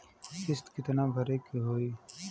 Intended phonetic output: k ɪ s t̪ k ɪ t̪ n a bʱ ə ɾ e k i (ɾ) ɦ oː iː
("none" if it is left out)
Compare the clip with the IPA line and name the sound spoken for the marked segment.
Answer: none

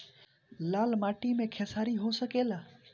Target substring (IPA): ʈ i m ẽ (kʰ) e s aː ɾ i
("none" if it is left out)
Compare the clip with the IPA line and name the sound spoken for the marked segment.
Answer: kʰ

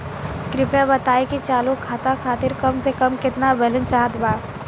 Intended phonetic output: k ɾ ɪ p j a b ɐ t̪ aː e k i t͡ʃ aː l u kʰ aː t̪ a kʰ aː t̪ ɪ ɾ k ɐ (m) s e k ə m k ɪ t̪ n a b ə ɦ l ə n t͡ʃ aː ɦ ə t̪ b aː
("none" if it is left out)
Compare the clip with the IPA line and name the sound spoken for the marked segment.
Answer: m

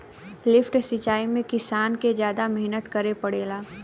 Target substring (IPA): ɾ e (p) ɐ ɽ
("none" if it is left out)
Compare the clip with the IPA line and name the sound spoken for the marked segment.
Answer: p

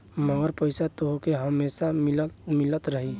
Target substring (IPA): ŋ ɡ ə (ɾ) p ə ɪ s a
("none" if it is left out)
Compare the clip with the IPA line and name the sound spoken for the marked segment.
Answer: ɾ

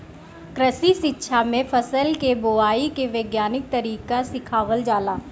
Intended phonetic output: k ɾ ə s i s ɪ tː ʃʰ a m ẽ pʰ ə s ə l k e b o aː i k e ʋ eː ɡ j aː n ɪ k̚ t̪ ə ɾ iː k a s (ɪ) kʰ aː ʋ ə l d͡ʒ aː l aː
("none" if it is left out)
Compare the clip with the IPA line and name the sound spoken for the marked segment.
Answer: ɪ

